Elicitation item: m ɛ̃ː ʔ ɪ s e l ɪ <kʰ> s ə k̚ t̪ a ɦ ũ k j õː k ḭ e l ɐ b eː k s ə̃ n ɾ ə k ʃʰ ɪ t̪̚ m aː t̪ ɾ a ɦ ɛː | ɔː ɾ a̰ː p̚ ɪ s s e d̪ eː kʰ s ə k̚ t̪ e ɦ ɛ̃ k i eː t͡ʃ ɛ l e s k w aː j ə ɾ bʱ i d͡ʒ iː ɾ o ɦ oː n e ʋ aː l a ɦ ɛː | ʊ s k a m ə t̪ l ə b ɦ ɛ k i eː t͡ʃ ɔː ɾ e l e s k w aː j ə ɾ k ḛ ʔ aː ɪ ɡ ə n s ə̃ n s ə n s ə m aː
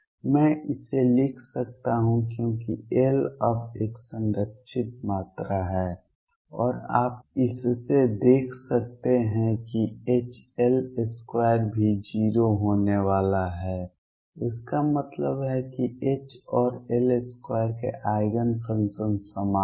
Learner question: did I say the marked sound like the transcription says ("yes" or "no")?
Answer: yes